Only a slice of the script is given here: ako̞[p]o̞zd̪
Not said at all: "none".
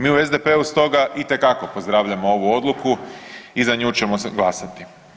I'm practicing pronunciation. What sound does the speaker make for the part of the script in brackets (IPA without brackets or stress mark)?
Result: p